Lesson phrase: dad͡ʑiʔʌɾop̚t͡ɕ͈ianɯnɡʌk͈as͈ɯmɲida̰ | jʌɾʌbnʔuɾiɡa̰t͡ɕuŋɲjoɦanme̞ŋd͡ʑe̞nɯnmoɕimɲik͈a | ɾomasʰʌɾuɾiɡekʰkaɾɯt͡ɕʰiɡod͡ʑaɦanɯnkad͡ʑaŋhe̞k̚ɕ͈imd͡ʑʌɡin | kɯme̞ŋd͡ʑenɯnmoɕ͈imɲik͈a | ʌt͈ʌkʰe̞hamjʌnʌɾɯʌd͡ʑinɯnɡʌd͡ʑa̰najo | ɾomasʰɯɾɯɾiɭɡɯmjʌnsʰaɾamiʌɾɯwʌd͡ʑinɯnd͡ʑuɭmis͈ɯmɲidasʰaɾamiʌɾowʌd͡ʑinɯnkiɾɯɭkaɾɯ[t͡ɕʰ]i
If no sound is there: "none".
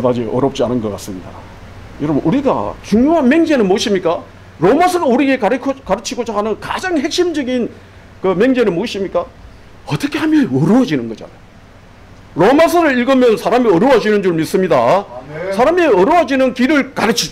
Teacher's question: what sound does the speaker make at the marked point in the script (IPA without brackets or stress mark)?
t͡ɕʰ